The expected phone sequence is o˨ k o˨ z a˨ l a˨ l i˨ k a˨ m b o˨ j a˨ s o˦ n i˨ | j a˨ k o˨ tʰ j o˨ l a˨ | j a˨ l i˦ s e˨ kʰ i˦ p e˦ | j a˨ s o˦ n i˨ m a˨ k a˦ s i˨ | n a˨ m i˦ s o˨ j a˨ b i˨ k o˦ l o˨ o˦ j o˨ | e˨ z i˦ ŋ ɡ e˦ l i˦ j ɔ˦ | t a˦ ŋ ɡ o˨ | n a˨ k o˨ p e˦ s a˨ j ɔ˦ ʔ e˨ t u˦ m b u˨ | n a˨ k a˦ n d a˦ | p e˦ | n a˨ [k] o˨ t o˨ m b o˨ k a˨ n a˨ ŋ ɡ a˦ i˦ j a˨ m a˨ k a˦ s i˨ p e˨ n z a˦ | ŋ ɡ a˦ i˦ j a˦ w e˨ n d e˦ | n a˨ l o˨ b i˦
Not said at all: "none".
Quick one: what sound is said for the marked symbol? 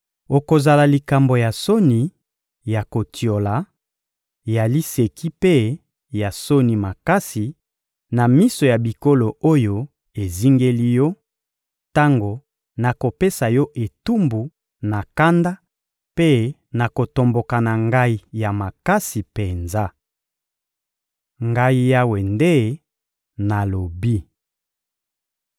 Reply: k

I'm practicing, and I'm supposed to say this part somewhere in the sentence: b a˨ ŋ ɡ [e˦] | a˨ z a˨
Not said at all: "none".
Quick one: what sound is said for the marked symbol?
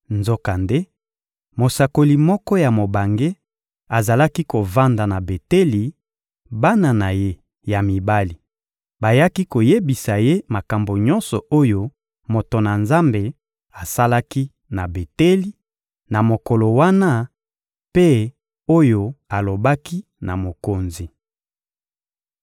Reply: e˦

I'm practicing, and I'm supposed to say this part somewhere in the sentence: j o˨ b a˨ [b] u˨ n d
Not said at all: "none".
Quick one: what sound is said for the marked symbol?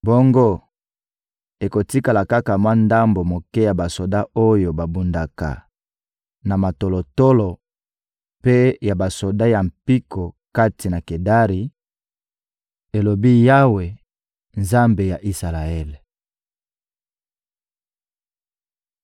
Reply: b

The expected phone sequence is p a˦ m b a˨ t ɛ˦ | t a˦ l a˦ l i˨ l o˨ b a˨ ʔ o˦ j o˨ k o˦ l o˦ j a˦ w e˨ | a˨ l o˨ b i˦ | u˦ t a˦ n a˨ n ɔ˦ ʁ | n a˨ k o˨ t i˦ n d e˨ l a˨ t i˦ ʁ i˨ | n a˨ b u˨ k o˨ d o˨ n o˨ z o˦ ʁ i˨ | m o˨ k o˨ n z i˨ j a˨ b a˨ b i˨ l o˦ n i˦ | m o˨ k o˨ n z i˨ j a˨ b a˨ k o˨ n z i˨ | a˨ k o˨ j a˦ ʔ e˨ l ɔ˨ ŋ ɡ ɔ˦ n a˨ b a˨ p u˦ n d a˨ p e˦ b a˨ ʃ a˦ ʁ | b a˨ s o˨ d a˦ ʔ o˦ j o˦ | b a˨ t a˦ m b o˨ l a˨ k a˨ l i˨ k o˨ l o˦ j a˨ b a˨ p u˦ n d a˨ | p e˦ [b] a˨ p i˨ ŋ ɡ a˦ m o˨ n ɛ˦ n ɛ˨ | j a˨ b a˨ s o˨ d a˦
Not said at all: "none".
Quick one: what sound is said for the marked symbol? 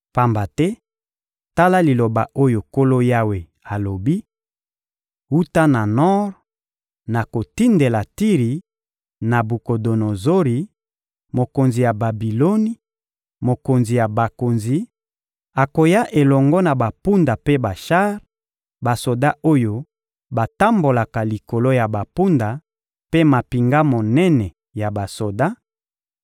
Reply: m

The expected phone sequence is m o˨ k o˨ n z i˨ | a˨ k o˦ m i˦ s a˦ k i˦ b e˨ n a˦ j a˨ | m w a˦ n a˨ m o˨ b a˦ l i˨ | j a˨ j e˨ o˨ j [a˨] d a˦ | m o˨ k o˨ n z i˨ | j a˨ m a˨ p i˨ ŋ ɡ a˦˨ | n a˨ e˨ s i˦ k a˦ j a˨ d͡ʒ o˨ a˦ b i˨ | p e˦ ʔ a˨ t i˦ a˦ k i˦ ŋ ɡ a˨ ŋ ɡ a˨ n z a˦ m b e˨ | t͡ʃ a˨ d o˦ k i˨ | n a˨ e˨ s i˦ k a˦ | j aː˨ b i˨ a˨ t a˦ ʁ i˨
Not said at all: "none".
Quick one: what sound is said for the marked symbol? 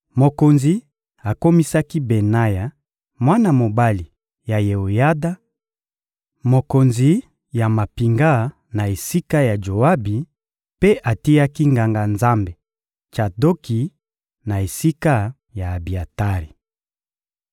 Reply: a˦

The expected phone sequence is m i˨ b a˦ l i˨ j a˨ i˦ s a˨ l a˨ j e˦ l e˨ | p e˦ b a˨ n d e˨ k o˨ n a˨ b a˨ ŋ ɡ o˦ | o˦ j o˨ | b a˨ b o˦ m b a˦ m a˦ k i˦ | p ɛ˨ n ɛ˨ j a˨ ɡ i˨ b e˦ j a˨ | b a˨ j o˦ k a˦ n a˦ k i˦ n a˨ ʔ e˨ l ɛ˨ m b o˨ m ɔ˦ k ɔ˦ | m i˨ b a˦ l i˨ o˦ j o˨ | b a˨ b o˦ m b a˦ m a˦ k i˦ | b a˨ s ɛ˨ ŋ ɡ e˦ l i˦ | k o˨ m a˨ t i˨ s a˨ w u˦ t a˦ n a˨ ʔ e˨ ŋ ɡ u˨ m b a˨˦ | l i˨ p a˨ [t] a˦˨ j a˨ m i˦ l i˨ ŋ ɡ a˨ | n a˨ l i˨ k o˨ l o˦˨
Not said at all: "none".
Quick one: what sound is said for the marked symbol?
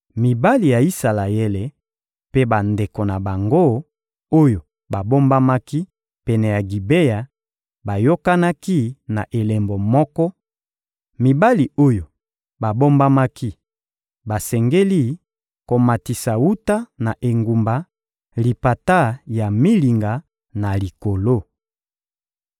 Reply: t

